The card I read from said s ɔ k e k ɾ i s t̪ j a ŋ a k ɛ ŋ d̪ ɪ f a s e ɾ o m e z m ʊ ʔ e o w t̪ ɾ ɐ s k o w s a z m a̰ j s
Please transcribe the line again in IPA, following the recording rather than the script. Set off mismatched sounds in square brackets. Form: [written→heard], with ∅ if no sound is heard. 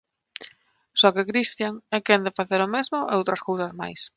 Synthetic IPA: s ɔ k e k ɾ i s t̪ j a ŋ [a→ɛ] k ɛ [ŋ→n] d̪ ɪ f a [s→θ] e ɾ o m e z m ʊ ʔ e o w t̪ ɾ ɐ s k o w s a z m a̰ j s